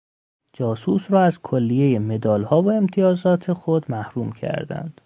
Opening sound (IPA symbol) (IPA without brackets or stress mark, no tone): d͡ʒ